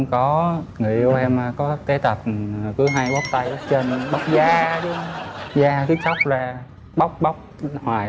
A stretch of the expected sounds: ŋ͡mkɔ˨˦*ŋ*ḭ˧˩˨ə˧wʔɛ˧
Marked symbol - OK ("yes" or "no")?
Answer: yes